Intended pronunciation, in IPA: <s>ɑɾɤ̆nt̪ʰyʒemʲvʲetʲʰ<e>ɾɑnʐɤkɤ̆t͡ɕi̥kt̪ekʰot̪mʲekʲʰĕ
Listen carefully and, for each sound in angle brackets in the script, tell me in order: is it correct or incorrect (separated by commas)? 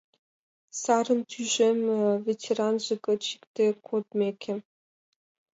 correct, correct